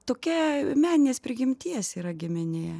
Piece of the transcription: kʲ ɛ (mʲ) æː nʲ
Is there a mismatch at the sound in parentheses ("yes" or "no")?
no